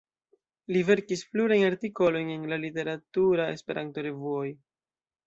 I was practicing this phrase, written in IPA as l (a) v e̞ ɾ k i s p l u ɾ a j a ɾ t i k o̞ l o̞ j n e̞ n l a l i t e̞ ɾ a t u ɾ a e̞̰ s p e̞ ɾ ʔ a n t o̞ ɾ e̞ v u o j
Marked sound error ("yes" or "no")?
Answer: yes